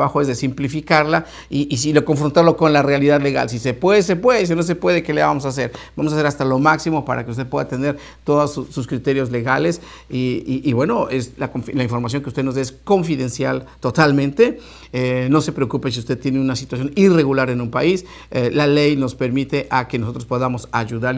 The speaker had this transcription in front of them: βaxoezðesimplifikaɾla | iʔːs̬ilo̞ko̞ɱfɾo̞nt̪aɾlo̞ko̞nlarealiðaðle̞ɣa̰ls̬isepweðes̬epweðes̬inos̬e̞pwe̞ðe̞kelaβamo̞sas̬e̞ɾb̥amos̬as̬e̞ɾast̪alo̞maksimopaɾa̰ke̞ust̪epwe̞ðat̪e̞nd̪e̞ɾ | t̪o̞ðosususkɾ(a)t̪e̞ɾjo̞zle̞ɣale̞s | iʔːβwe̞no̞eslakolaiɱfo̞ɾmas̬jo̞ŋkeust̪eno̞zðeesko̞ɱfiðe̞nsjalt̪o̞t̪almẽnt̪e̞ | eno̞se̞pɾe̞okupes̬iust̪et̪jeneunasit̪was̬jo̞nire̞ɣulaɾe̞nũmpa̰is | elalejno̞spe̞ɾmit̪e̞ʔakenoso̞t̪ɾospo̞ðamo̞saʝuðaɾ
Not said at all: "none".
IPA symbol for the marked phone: i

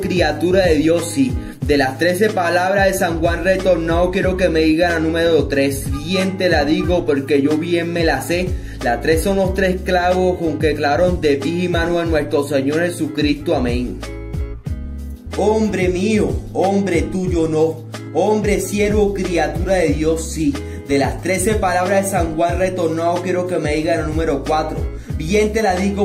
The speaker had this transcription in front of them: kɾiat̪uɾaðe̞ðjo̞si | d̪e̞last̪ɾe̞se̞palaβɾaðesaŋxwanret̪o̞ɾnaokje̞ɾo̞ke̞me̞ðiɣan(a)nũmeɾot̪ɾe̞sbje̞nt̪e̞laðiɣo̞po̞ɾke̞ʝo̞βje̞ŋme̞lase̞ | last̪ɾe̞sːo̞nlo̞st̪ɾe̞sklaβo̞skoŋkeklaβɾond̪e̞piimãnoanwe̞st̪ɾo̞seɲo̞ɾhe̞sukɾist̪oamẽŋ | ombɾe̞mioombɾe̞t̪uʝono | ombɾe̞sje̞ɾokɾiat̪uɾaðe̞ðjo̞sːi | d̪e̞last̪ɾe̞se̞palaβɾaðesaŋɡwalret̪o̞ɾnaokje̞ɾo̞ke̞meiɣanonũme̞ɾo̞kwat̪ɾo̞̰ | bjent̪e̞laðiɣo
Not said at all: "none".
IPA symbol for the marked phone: a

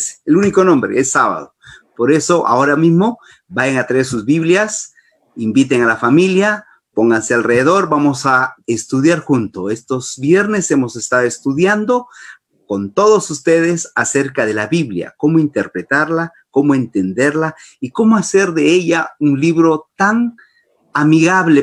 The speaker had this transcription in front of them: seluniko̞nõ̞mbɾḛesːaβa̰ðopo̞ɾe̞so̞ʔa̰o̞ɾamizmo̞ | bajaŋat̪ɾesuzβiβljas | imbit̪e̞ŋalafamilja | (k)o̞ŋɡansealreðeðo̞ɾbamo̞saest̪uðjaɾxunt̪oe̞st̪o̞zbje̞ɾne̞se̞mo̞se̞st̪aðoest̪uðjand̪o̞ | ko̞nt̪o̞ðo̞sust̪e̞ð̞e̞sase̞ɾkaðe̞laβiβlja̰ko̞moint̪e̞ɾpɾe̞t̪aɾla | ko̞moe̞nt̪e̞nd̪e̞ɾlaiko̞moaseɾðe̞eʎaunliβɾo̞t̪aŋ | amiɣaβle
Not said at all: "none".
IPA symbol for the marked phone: p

